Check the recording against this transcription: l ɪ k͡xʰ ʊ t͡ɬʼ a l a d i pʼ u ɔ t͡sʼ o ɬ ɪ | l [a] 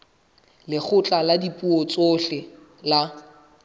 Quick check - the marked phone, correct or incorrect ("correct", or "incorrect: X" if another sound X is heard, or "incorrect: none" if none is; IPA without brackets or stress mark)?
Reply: correct